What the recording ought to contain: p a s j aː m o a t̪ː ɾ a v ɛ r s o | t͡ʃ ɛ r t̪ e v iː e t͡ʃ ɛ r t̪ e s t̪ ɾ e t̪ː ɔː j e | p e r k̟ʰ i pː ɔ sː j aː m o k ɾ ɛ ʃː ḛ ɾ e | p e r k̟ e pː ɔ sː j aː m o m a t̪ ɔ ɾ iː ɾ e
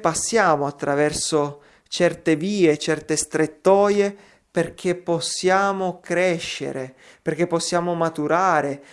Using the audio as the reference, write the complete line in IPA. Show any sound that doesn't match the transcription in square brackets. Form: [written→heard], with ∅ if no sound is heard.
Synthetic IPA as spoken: p a [s→sː] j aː m o a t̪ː ɾ a v ɛ r s o | t͡ʃ ɛ r t̪ e v iː e t͡ʃ ɛ r t̪ e s t̪ ɾ e t̪ː ɔː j e | p e r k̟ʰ [i→e] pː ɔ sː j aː m o k ɾ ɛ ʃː ḛ ɾ e | p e r k̟ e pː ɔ sː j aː m o m a t̪ [ɔ→u] ɾ [iː→aː] ɾ e